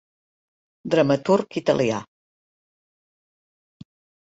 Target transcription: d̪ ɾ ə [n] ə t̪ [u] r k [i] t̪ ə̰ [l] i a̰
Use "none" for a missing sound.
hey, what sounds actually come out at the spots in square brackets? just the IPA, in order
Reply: m, u, i, l

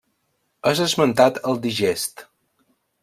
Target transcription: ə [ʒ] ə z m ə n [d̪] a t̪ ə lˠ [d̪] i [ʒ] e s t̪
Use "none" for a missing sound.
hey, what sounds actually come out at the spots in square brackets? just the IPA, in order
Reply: z, t̪, d̪, ʒ

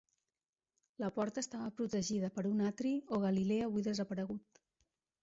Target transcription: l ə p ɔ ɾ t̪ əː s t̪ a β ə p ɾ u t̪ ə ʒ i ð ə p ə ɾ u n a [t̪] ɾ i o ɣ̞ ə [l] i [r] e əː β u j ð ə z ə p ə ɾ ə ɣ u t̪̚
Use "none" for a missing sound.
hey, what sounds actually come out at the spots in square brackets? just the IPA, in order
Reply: t̪, l, l

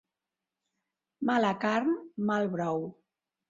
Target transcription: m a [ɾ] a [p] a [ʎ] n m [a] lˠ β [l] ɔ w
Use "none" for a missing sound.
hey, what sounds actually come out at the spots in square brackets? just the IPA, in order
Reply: l, k, ɾ, a, ɾ

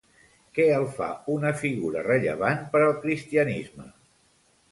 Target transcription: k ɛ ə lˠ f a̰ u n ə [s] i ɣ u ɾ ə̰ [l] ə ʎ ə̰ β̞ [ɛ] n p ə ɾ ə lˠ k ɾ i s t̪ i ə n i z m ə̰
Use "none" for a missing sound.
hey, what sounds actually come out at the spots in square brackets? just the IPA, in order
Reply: f, r, a

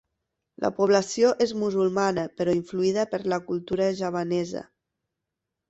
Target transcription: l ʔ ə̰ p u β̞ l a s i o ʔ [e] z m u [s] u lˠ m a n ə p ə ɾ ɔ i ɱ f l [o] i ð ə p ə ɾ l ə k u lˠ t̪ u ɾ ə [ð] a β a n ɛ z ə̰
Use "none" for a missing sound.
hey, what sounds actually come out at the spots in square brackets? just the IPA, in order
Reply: e, z, u, ʒ

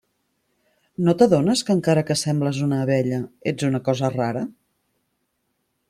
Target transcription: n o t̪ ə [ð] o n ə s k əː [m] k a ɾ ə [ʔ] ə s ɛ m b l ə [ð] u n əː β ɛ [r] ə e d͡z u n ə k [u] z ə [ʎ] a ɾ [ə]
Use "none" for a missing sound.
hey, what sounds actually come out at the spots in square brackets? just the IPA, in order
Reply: ð, ŋ, k, z, ʎ, ɔ, r, ə

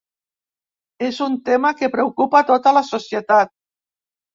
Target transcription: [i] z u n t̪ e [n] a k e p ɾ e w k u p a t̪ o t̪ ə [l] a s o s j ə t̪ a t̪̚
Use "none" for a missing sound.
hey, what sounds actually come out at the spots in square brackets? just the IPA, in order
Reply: e, m, l

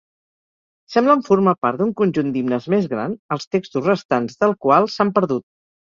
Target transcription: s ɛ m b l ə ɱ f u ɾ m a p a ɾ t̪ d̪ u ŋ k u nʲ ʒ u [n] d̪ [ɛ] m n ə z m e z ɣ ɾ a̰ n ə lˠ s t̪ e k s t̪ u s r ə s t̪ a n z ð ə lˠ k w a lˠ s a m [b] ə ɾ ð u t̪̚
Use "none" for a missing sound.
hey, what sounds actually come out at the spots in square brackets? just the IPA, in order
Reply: n, i, p

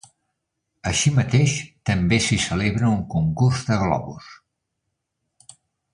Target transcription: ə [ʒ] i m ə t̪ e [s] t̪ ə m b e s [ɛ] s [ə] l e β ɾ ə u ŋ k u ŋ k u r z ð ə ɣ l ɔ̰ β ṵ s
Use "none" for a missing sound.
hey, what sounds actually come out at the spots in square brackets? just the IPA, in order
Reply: ʃ, ʃ, i, ə

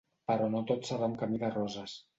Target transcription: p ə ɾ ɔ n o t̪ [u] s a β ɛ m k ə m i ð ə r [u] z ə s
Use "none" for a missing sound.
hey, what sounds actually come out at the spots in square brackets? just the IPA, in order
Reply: o, ɔ

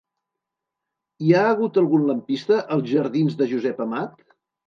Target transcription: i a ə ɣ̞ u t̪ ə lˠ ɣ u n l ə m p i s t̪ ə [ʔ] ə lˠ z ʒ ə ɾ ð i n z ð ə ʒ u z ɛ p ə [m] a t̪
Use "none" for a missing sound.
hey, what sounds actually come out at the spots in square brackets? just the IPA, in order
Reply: ʔ, m

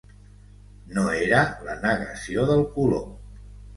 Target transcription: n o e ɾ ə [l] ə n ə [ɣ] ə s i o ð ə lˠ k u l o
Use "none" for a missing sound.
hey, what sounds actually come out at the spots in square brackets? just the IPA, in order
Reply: l, ɣ

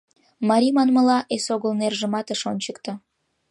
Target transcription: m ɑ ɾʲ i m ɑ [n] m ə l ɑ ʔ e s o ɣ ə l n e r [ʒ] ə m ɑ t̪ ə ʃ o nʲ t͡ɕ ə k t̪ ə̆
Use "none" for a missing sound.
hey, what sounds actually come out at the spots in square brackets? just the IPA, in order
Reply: n, ʒ

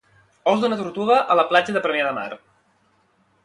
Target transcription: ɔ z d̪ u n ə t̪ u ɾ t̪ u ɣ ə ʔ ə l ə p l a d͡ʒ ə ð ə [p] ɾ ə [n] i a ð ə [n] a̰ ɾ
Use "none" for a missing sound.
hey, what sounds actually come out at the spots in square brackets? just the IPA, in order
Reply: p, m, m

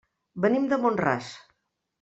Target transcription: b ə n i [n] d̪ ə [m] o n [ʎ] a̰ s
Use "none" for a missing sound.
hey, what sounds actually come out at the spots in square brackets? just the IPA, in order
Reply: m, m, r

